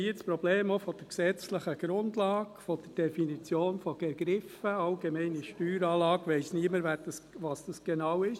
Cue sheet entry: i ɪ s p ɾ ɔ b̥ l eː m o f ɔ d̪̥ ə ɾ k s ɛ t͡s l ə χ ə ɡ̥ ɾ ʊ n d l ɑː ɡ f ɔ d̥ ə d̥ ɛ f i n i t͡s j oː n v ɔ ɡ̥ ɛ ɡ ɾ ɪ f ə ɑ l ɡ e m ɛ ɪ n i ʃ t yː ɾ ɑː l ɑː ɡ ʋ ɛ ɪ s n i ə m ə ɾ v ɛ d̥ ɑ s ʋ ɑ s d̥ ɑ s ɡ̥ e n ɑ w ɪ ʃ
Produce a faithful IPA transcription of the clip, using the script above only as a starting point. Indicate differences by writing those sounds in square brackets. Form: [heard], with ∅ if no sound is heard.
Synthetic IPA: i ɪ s p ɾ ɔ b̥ l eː m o f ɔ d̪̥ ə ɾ k s ɛ t͡s l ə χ ə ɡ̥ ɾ ʊ n d l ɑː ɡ f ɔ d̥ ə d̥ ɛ f i n i t͡s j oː n [f] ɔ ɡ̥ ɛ ɡ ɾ ɪ f ə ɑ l ɡ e m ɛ ɪ n i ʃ t yː ɾ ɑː l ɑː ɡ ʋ ɛ ɪ s n i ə m ə ɾ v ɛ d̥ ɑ s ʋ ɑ s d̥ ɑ s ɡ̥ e n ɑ w ɪ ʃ